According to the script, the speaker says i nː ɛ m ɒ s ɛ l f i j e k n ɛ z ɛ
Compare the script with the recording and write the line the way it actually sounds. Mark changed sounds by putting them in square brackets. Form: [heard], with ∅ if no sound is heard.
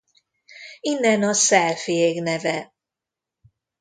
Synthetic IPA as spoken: i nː ɛ [n] ɒ s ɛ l f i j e [ɡ] n ɛ [v] ɛ